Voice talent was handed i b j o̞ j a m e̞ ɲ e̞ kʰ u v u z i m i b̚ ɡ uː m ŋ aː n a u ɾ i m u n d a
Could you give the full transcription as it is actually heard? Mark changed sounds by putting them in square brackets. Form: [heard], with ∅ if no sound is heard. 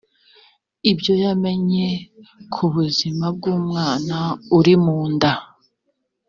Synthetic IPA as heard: i b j o̞ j a m e̞ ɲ e̞ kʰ u [β] u z i m [a] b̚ ɡ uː m ŋ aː n a u ɾ i m [uː] n d a